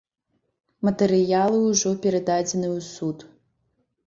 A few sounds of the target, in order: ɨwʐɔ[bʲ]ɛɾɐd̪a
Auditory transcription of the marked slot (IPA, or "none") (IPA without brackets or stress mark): pʲ